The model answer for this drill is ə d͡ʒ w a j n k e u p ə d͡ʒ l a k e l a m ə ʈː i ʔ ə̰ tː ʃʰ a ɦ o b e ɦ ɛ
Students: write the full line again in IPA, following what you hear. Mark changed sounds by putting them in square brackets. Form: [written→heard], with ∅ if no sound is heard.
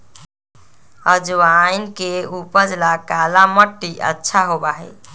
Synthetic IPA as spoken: ə d͡ʒ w a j n k e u p ə d͡ʒ l a k [e→a] l a m ə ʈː i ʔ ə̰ tː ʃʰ a ɦ o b [e→a] ɦ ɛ